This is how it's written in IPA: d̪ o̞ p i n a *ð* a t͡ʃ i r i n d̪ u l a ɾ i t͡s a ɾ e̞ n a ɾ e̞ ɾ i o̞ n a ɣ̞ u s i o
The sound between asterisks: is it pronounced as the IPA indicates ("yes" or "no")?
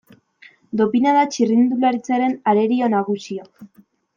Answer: yes